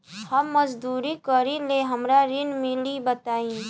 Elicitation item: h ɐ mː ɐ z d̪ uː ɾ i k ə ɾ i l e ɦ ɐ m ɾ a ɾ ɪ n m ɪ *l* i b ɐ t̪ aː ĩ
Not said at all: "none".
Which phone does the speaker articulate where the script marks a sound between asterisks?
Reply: l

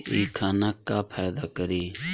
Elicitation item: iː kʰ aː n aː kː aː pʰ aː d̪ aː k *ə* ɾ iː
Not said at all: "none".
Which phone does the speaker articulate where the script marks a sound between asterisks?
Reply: ə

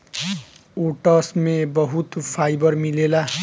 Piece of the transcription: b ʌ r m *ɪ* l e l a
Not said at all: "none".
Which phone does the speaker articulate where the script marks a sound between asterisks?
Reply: i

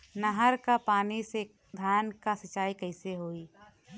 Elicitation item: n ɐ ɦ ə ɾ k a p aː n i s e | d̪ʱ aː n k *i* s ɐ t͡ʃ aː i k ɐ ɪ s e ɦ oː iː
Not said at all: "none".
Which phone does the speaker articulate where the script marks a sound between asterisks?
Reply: a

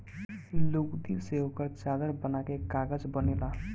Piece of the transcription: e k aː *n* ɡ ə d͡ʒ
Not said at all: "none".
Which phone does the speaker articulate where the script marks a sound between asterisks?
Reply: none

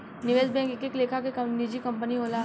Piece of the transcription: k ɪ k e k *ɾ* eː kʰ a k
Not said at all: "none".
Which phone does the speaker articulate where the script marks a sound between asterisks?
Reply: l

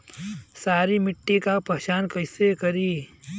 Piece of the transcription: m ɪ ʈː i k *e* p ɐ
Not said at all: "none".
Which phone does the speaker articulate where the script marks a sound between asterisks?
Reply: a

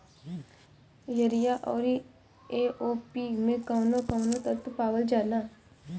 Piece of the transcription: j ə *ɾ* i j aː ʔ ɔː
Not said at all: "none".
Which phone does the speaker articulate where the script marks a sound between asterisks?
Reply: ɾ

